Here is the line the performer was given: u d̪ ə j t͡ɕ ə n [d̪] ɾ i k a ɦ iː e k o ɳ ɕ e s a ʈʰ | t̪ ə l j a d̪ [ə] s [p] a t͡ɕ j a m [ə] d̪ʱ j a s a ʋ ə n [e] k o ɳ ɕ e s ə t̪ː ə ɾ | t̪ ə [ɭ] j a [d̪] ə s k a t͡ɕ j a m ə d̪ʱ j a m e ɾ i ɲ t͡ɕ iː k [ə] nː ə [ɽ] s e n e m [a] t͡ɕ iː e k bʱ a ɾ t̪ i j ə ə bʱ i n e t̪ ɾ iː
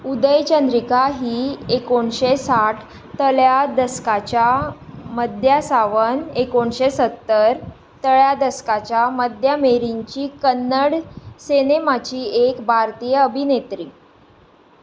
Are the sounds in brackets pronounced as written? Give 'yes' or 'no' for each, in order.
yes, yes, no, yes, yes, yes, yes, yes, yes, yes

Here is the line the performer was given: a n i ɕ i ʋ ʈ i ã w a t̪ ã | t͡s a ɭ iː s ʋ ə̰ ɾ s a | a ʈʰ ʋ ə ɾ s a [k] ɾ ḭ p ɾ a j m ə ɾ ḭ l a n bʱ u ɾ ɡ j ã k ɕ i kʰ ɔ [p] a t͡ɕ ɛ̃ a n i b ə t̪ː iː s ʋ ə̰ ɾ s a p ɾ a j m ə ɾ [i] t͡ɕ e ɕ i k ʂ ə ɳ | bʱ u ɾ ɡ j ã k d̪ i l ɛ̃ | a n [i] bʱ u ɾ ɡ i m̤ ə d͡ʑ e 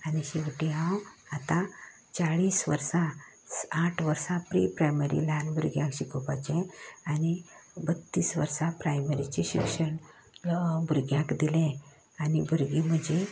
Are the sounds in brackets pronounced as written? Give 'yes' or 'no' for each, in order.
no, yes, yes, yes

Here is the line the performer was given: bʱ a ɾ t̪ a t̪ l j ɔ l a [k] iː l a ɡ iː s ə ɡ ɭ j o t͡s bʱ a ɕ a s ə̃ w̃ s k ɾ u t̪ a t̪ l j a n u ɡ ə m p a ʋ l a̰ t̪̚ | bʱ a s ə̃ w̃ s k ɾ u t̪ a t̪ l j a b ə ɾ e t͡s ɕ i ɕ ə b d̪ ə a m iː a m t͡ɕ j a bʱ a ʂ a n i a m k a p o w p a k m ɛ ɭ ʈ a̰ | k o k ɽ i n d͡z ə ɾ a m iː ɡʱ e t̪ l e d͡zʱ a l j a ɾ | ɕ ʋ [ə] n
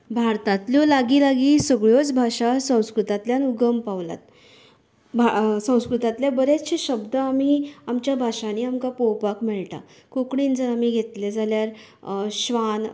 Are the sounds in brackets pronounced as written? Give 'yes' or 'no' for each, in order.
no, no

